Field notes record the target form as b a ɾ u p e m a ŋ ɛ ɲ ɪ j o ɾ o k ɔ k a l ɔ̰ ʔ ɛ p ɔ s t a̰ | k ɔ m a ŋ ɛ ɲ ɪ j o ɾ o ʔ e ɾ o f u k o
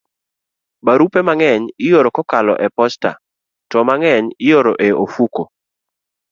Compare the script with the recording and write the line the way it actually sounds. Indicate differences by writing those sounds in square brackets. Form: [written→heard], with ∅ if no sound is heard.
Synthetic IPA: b a ɾ u p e m a ŋ ɛ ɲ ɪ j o ɾ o k ɔ k a l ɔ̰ ʔ ɛ p ɔ s t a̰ | [k→t] ɔ m a ŋ ɛ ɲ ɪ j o ɾ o ʔ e [ɾ→∅] o f u k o